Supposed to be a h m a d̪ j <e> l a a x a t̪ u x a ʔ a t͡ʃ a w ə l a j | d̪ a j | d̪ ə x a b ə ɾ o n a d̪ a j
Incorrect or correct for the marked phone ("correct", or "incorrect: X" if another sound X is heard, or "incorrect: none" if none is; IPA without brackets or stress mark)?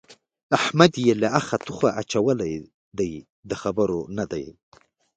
correct